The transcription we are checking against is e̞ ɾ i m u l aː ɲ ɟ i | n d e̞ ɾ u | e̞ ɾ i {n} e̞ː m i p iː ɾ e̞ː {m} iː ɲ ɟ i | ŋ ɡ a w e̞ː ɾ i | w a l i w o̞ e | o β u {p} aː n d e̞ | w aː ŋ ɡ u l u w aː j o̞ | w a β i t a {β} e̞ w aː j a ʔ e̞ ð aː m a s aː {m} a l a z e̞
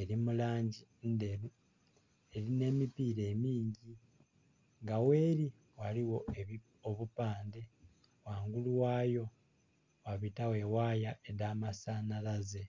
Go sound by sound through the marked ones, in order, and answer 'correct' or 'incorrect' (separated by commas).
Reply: correct, correct, correct, incorrect, incorrect